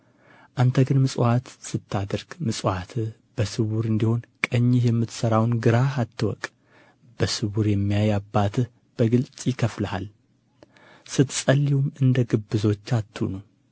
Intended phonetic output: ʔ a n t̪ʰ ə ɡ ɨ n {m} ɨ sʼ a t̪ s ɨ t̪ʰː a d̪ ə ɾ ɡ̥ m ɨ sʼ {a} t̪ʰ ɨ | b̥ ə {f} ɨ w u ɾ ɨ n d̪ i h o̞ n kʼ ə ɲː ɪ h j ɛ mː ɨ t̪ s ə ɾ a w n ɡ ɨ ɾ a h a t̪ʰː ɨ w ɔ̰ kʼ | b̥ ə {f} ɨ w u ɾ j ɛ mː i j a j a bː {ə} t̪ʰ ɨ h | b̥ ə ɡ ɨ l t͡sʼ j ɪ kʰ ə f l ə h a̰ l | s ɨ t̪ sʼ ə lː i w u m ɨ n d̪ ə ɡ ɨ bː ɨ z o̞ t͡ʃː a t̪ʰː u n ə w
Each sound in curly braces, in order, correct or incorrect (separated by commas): correct, correct, incorrect, incorrect, incorrect